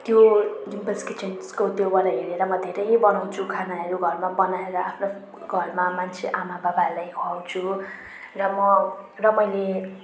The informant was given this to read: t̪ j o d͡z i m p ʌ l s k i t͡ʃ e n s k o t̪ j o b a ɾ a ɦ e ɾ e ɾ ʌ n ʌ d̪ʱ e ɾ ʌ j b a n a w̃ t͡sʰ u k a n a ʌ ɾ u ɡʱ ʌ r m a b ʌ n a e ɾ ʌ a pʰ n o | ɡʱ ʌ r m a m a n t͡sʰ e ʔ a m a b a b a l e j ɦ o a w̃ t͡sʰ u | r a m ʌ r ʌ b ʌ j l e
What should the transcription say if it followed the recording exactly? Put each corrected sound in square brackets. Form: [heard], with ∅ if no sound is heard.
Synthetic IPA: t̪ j o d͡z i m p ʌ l s k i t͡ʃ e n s k o t̪ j o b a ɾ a ɦ e ɾ e ɾ ʌ [m] ʌ d̪ʱ e ɾ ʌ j b [ʌ] n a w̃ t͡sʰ u [kʰ] a n a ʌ ɾ u ɡʱ ʌ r m a b ʌ n a e ɾ ʌ a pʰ n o | ɡʱ ʌ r m a m a n t͡sʰ e ʔ a m a b a b a l [a] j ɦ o a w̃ t͡sʰ u | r [ʌ] m ʌ r ʌ [m] ʌ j l e